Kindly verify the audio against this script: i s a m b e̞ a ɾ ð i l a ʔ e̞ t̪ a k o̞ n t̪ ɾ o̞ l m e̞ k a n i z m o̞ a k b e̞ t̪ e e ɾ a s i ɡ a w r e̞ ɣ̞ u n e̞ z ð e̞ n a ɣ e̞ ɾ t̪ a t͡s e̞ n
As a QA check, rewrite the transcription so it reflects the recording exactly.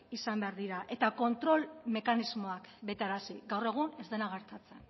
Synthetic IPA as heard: i s a m b e̞ a ɾ ð i ɾ a ʔ e̞ t̪ a k o̞ n t̪ ɾ o̞ l m e̞ k a n i z m o̞ a k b e̞ t̪ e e ɾ a s i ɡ a w r e̞ ɣ̞ u n e̞ z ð e̞ n a ɣ e̞ ɾ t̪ a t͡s e̞ n